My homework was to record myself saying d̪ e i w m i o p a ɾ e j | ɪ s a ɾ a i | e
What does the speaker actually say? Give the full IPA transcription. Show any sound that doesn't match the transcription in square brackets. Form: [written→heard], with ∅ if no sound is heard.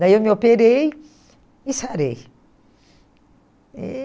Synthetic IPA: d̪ [e→a] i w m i o p [a→e] ɾ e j | [ɪ→i] s a ɾ [a→e] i | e